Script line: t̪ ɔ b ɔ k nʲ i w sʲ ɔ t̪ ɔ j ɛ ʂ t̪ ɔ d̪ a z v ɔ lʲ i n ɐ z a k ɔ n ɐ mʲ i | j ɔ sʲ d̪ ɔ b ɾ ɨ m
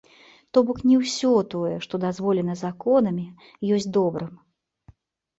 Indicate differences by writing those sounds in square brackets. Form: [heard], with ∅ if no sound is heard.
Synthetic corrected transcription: t̪ ɔ b ɔ k nʲ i w sʲ ɔ t̪ ɔ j ɛ ʂ t̪ ɔ d̪ a z v ɔ lʲ [ɛ] n ɐ z a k ɔ n ɐ mʲ i | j ɔ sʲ d̪ ɔ b ɾ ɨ m